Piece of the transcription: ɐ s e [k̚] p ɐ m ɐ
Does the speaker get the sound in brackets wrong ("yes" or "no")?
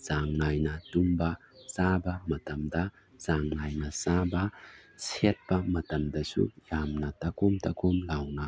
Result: yes